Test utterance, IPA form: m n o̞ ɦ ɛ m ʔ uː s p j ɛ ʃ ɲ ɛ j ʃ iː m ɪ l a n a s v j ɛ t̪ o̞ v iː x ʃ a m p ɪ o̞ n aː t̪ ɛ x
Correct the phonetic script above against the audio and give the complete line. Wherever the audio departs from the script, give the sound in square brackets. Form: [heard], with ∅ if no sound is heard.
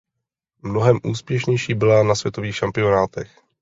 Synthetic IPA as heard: m n o̞ ɦ ɛ m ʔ uː s p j ɛ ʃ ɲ ɛ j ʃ iː [b] ɪ l a n a s v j ɛ t̪ o̞ v iː x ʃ a m p ɪ o̞ n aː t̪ ɛ x